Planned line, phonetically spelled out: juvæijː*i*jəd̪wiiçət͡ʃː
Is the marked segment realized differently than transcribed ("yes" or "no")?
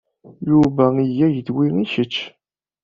yes